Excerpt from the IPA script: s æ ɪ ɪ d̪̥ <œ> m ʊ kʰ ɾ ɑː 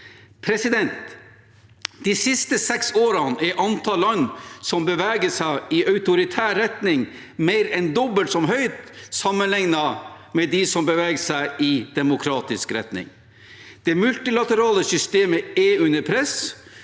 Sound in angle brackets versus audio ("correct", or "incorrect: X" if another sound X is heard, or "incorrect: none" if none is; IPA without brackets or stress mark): incorrect: ɛ